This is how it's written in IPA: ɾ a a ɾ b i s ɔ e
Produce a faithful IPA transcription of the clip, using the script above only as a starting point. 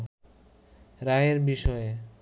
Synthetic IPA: ɾ a e ɾ b i ʃ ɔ e